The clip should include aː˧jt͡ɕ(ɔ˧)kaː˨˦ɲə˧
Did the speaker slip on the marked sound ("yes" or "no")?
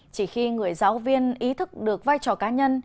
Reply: yes